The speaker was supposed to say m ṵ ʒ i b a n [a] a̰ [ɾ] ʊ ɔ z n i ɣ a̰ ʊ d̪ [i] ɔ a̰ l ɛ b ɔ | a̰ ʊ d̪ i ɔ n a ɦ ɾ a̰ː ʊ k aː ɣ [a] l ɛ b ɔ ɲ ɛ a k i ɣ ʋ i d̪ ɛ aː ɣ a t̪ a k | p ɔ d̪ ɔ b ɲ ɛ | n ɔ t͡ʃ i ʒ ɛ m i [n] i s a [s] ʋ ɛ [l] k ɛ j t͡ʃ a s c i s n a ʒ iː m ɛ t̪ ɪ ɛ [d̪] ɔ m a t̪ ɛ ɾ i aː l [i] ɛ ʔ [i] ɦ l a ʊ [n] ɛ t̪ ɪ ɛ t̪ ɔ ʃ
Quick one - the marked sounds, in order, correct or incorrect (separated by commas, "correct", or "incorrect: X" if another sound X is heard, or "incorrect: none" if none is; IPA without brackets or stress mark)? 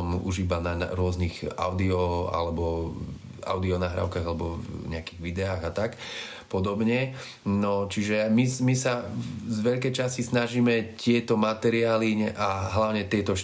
correct, correct, correct, correct, incorrect: m, incorrect: z, incorrect: ʎ, incorrect: t̪, correct, incorrect: a, incorrect: ɲ